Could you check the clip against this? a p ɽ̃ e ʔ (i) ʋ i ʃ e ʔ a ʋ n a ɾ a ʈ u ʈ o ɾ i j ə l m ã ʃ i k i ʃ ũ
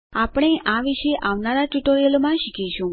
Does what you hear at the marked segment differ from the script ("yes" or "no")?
yes